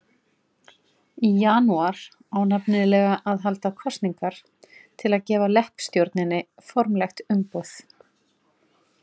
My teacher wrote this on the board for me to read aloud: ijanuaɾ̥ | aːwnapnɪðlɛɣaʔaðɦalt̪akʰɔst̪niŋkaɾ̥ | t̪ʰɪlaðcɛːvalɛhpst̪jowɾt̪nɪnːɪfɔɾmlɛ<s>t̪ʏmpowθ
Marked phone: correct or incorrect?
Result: incorrect